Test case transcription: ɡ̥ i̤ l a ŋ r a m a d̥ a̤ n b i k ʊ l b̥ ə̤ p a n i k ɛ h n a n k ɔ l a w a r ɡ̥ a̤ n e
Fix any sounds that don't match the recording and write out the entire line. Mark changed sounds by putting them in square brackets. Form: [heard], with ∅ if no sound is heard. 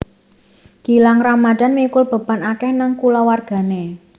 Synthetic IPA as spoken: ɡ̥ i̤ l a ŋ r a m a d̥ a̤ n [m] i k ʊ l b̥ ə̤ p a n [a] k ɛ h n a [ŋ] k [u] l a w a r ɡ̥ a̤ n e